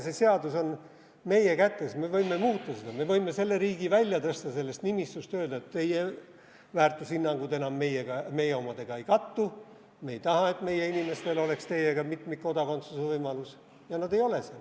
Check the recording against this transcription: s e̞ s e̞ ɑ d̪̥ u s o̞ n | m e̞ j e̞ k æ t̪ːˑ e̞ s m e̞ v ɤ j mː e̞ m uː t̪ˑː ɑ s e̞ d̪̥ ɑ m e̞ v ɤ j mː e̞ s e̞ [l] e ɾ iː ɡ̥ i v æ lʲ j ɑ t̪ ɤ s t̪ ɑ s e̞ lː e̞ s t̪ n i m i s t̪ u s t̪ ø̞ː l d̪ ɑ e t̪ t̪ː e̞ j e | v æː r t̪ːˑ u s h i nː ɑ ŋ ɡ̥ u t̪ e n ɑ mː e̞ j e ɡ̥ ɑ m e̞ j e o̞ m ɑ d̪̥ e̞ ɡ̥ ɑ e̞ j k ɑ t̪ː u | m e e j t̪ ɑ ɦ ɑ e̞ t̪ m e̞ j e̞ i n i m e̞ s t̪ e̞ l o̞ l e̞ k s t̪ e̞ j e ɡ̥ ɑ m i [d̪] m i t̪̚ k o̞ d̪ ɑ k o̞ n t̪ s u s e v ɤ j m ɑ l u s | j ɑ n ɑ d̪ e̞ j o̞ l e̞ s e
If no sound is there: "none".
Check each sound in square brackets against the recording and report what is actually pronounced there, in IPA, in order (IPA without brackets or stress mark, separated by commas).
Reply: lː, t̪